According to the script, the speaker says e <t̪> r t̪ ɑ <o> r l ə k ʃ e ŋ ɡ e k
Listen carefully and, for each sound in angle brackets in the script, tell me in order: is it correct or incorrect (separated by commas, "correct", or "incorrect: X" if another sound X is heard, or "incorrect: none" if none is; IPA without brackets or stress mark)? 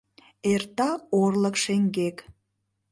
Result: incorrect: none, correct